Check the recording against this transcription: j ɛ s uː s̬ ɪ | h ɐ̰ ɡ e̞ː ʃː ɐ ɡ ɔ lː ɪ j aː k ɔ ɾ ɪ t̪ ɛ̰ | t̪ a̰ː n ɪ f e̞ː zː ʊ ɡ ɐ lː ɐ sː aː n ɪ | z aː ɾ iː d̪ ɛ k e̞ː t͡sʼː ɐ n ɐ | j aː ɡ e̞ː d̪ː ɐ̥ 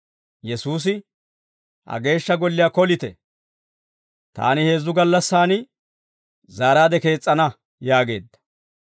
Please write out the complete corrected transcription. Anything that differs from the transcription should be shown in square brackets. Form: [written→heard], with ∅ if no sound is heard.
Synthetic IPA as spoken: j ɛ s uː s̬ ɪ | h ɐ̰ ɡ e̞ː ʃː ɐ ɡ ɔ lː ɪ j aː k ɔ [ɾ→l] ɪ t̪ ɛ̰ | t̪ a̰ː n ɪ [f→h] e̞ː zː ʊ ɡ ɐ lː ɐ sː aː n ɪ | z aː ɾ [iː→aː] d̪ ɛ k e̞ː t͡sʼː ɐ n ɐ | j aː ɡ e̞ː d̪ː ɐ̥